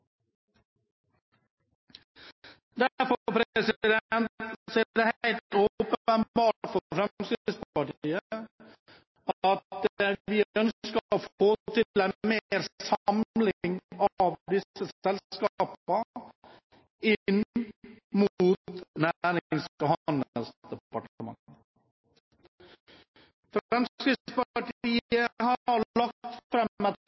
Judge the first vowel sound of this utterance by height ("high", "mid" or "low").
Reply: low